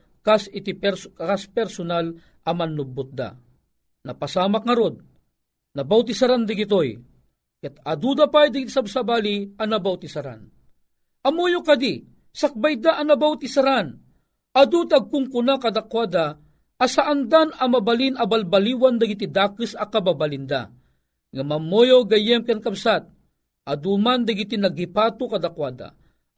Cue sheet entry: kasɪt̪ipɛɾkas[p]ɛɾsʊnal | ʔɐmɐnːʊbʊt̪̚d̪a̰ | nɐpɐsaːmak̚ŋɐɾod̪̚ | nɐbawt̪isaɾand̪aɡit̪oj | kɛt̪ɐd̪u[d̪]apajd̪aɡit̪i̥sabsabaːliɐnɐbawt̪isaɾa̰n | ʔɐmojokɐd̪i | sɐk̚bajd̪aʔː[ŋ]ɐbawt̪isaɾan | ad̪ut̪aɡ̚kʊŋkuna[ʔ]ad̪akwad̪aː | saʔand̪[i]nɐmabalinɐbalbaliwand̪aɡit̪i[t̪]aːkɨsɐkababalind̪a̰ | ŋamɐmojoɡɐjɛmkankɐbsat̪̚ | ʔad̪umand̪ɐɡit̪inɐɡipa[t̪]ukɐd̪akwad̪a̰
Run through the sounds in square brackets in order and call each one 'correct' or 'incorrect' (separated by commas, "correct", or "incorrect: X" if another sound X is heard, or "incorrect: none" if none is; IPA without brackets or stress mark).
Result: correct, correct, incorrect: n, incorrect: k, incorrect: a, incorrect: d̪, correct